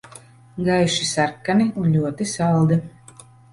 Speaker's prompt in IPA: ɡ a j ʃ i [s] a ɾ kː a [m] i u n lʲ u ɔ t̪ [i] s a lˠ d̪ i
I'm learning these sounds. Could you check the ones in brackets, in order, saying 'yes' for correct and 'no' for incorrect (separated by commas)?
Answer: yes, no, yes